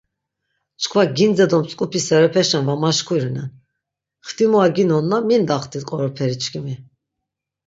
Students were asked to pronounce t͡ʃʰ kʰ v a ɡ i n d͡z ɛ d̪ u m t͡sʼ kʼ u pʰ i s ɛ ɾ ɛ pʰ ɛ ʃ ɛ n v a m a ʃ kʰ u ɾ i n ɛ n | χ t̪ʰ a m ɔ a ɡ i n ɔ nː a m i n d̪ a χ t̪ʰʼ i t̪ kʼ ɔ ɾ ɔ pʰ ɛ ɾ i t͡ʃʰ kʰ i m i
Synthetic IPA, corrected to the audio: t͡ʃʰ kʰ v a ɡ i n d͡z ɛ d̪ ɔ m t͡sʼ kʼ u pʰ i s ɛ ɾ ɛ pʰ ɛ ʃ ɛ n v a m a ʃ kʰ u ɾ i n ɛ n | χ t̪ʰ i m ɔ a ɡ i n ɔ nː a m i n d̪ a χ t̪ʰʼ i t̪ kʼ ɔ ɾ ɔ pʰ ɛ ɾ i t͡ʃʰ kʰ i m i